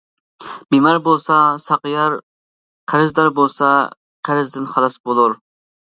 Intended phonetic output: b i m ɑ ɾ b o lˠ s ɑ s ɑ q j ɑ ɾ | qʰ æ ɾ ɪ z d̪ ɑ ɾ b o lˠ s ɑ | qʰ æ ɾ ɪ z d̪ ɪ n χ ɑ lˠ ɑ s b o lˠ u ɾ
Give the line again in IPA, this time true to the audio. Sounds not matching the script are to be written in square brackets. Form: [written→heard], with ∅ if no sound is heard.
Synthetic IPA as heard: b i m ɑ ɾ b o lˠ s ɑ s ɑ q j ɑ ɾ | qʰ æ ɾ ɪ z d̪ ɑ ɾ b o lˠ s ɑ | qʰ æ ɾ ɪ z d̪ ɪ n χ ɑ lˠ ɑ s b o lˠ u ɾ